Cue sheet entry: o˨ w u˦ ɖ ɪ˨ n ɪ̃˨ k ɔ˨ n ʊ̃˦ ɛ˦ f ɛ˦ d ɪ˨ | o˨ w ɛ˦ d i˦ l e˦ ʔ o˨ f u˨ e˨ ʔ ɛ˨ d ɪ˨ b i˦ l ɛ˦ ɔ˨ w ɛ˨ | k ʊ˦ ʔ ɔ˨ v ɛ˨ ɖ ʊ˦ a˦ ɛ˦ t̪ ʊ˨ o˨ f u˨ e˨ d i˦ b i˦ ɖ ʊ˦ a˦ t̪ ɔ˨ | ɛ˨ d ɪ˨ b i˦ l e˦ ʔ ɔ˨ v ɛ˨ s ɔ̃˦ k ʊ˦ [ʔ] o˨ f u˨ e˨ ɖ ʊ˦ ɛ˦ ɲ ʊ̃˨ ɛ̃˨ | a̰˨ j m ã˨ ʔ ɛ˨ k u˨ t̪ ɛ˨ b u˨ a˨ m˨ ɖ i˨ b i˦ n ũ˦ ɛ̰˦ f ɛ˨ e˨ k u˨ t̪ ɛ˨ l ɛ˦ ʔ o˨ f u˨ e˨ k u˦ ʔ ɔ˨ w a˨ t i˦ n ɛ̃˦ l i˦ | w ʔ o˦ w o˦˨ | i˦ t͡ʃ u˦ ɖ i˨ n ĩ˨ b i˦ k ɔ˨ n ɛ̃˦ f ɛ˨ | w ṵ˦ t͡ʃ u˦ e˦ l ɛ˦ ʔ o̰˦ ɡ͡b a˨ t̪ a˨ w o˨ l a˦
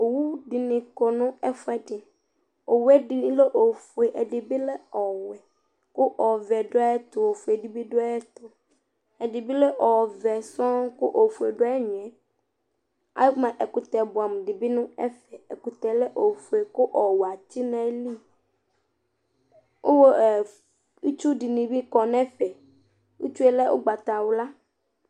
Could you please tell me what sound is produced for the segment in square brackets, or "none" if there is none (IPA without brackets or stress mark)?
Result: ʔ